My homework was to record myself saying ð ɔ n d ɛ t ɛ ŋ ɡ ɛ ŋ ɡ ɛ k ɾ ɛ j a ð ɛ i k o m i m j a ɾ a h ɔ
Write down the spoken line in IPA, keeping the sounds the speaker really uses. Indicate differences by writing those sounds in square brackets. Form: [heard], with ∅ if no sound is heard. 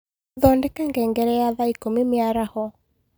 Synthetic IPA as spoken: ð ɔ n d ɛ [k] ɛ ŋ ɡ ɛ ŋ ɡ ɛ [∅] ɾ ɛ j a ð [a] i k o m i m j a ɾ a h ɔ